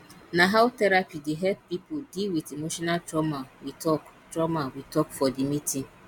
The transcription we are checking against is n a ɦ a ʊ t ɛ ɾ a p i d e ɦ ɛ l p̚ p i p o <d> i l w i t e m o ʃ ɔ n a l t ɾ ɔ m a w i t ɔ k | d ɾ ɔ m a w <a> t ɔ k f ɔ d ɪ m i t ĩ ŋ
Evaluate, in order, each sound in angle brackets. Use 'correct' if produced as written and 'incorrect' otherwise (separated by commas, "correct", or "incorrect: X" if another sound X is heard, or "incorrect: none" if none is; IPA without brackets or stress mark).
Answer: correct, incorrect: i